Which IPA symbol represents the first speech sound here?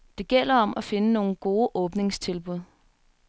d̥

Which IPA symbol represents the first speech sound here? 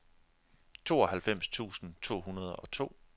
t͡sʰ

